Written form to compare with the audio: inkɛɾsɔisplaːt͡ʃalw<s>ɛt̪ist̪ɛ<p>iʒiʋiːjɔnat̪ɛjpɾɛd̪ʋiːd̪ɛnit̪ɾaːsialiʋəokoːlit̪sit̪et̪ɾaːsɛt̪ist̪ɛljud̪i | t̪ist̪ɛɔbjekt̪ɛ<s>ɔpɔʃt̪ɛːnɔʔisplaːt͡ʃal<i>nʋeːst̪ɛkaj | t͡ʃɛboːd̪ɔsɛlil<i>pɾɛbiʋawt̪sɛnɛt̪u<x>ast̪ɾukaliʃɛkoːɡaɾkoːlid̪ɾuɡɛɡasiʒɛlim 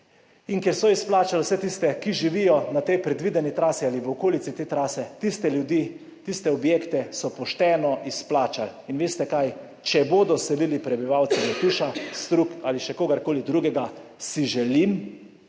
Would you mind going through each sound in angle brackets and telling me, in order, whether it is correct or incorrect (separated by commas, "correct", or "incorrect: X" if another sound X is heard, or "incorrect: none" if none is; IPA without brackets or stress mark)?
correct, incorrect: k, correct, correct, correct, incorrect: ʃ